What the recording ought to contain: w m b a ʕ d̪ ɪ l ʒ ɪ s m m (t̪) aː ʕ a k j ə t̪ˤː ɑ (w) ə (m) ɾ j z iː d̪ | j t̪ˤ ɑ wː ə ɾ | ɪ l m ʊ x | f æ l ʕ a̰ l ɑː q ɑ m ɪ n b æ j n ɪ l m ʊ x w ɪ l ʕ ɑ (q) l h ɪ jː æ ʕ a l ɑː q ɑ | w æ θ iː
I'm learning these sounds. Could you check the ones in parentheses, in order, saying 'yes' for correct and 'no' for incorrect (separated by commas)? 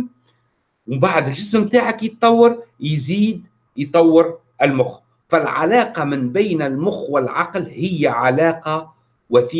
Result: yes, no, no, yes